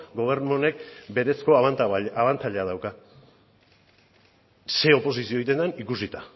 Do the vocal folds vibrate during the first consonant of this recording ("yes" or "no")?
yes